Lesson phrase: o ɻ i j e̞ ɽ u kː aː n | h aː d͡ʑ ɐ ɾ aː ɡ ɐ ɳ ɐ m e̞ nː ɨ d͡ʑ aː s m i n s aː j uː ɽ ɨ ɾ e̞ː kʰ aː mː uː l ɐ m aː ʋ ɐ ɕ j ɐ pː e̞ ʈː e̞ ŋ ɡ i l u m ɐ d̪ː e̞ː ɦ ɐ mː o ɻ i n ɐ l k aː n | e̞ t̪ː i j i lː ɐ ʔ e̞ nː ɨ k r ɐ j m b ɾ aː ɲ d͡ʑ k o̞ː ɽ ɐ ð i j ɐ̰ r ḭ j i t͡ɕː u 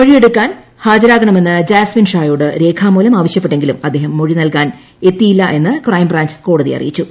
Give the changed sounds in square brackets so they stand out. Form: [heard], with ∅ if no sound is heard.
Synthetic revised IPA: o ɻ i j e̞ ɽ u kː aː n | h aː d͡ʑ ɐ ɾ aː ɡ ɐ ɳ ɐ m e̞ nː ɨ d͡ʑ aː s m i n [ʂ] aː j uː ɽ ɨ ɾ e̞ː kʰ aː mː uː l ɐ m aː ʋ ɐ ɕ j ɐ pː e̞ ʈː e̞ ŋ ɡ i l u m ɐ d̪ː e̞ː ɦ ɐ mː o ɻ i n ɐ l k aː n | e̞ t̪ː i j i lː ɐ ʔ e̞ nː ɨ k r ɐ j m b [r] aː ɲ d͡ʑ k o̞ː ɽ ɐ ð i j ɐ̰ r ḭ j i t͡ɕː u